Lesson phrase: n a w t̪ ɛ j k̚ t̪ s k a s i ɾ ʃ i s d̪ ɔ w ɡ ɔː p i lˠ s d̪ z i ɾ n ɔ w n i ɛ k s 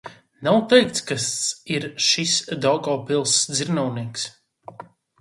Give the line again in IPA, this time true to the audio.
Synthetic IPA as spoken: n a w t̪ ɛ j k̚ t̪ s k a s i ɾ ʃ i s d̪ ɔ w ɡ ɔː p i lˠ s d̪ z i ɾ n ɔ w n i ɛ k s